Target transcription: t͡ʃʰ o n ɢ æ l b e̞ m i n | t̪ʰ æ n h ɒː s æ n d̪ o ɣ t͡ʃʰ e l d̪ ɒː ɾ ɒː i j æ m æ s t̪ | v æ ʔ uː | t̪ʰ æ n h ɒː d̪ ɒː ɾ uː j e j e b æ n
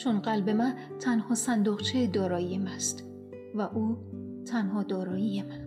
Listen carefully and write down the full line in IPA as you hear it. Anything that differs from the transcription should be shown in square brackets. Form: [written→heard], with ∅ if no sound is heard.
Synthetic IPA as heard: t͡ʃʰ o n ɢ æ l b e̞ m [i→æ] n | t̪ʰ æ n h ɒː s æ n d̪ o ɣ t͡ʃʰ e [l→∅] d̪ ɒː ɾ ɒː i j [æ→e] m æ s t̪ | v æ ʔ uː | t̪ʰ æ n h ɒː d̪ ɒː ɾ [uː→ɒː] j [e→i] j e [b→m] æ n